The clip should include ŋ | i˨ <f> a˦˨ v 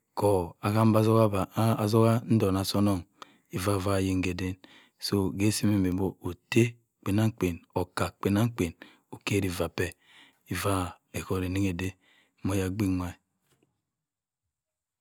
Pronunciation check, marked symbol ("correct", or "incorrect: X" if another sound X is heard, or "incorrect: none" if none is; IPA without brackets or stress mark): incorrect: v